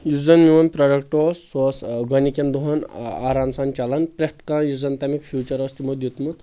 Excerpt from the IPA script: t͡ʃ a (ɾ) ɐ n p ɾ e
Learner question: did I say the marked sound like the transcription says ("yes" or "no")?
no